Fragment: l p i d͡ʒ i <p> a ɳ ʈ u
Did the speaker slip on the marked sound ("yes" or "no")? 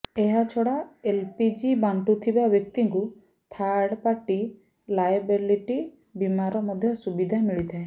yes